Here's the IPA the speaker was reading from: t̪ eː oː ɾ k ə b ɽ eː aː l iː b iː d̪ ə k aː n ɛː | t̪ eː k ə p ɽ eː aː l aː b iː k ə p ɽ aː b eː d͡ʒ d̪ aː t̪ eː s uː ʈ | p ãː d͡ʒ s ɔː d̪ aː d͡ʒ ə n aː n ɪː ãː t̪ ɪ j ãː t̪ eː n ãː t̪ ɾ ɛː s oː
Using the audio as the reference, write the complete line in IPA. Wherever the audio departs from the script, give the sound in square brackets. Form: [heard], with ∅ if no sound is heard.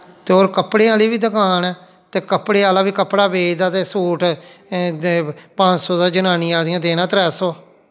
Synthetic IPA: t̪ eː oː ɾ k ə [p] ɽ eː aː l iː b iː d̪ ə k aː n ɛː | t̪ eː k ə p ɽ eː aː l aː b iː k ə p ɽ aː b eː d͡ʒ d̪ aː t̪ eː s uː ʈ | p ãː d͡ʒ s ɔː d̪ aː d͡ʒ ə n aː n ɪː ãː [d̪] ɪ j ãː [d̪] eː n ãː t̪ ɾ ɛː s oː

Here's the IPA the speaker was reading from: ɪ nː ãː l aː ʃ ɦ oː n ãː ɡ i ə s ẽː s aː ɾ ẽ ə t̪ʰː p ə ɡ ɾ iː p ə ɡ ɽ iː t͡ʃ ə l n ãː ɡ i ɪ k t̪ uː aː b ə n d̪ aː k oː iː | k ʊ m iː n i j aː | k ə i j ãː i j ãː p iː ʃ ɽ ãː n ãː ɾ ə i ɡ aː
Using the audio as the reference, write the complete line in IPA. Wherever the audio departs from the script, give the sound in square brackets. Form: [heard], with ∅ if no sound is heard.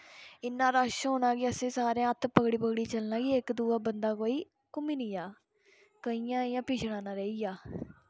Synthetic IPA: ɪ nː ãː [ɾ] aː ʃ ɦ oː n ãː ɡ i ə s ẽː s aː ɾ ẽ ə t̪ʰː p ə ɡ [ɽ] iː p ə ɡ ɽ iː t͡ʃ ə l n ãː ɡ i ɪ k [d̪] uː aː b ə n d̪ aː k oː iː | k ʊ m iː n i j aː | k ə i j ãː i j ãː p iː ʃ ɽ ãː n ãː ɾ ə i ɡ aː

